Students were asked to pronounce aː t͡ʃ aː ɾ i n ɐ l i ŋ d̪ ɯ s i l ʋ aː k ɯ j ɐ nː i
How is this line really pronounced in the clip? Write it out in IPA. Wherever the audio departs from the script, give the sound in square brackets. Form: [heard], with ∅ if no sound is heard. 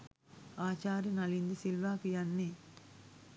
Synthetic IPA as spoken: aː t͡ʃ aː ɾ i n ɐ l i [n] d̪ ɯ s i l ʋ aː k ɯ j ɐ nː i